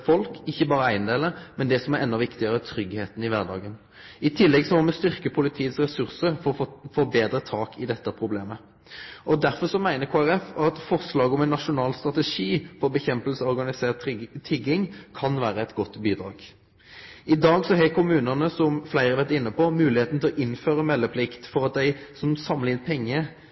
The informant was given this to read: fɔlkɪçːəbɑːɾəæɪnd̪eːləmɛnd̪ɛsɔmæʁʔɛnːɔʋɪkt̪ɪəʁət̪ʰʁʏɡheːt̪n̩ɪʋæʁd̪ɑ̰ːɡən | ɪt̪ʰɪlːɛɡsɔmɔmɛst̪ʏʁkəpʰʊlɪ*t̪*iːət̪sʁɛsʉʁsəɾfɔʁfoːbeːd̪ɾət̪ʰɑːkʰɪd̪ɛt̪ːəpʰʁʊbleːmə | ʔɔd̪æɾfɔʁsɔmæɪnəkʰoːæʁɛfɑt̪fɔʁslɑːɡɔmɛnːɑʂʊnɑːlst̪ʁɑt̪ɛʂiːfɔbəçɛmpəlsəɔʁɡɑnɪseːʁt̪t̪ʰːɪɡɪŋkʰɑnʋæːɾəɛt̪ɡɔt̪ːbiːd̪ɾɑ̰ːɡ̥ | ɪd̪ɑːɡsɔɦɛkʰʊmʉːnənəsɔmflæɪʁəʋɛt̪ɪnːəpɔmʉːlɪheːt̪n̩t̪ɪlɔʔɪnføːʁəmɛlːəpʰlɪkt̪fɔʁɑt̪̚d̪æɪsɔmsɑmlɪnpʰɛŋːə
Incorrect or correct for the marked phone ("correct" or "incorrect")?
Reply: incorrect